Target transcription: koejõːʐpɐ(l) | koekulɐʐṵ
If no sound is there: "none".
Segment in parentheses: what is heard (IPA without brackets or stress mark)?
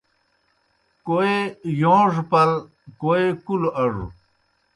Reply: l